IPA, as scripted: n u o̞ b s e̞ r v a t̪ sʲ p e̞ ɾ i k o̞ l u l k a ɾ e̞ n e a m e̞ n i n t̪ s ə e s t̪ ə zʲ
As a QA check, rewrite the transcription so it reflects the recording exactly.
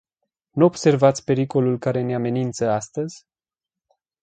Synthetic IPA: n u o̞ b s e̞ r v a t̪ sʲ p e̞ ɾ i k o̞ l u l k a ɾ e̞ n e a m e̞ n i n t̪ s ə a s t̪ ə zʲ